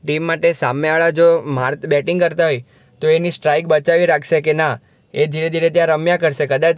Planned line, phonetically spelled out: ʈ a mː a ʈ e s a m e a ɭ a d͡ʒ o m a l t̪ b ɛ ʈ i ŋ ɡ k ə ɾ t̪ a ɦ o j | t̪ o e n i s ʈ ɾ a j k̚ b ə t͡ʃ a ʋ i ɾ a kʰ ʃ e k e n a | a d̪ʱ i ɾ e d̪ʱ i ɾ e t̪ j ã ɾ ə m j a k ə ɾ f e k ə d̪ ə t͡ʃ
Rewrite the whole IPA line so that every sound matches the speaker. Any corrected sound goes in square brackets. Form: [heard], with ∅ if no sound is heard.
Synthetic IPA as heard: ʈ [i] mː a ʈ e s a m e a ɭ a d͡ʒ o m a [ɾ] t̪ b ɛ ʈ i ŋ ɡ k ə ɾ t̪ a ɦ o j | t̪ o e n i s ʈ ɾ a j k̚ b ə t͡ʃ a ʋ i ɾ a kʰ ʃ e k e n a | [e] d̪ʱ i ɾ e d̪ʱ i ɾ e t̪ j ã ɾ ə m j a k ə ɾ [ʃ] e k ə d̪ [a] t͡ʃ